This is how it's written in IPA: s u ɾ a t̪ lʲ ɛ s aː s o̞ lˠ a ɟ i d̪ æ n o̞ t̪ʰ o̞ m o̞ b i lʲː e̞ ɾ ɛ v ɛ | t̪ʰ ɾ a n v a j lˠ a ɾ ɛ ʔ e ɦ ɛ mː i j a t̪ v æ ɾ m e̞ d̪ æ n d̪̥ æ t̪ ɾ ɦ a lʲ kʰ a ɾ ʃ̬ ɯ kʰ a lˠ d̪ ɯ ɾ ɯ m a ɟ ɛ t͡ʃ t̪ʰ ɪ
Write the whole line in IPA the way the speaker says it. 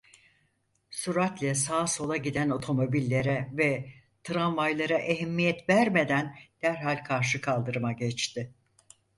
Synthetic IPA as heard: s u ɾ a t̪ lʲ ɛ s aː s o̞ lˠ a ɟ i d̪ æ n o̞ t̪ʰ o̞ m o̞ b i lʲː e̞ ɾ ɛ v ɛ | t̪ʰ ɾ a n v a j lˠ a ɾ a ʔ e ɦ ɛ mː i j ɛ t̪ v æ ɾ m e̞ d̪ æ n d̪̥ æ ɾ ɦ a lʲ kʰ a ɾ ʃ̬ ɯ kʰ a lˠ d̪ ɯ ɾ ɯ m a ɟ ɛ t͡ʃ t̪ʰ ɪ